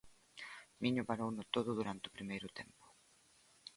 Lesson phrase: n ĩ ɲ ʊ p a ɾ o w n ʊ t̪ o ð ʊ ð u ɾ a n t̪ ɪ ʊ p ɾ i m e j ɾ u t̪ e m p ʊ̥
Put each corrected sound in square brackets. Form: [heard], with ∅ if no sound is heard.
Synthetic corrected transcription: [m] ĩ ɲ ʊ p a ɾ o w n ʊ t̪ o ð ʊ ð u ɾ a n t̪ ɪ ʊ p ɾ i m e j ɾ [ʊ] t̪ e m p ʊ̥